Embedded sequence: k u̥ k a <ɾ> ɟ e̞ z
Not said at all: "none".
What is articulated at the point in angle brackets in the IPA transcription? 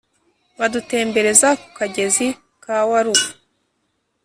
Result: none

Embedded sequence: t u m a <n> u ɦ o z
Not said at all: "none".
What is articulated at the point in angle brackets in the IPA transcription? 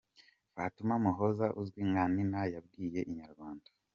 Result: m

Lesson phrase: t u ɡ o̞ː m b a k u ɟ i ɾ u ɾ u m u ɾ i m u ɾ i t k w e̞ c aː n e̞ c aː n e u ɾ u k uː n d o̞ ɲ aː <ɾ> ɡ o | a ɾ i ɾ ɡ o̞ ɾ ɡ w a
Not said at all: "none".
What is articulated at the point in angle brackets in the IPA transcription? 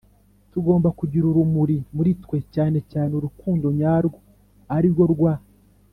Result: ɾ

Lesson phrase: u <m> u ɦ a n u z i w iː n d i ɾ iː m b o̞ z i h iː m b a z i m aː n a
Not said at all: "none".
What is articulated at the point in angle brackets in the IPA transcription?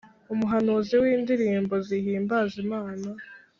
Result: m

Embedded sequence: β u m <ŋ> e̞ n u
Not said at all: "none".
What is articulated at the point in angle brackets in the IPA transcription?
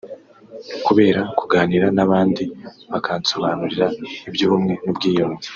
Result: ŋ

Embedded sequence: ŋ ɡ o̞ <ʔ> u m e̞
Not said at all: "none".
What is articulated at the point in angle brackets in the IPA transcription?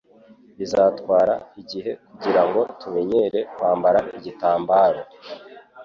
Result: t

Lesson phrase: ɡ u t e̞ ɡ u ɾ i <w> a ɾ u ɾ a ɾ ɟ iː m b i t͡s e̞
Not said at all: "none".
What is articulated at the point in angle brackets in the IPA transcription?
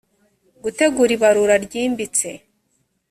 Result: β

